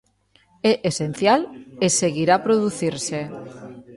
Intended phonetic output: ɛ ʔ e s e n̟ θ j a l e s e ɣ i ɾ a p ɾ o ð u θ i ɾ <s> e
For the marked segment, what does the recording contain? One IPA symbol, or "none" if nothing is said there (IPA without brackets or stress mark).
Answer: s